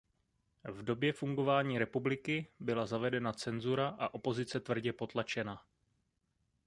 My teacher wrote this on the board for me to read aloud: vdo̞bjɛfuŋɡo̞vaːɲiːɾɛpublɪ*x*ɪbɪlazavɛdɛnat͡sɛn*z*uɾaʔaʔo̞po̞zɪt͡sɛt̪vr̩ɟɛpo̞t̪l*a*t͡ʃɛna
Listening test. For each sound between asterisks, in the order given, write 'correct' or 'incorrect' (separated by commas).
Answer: incorrect, correct, correct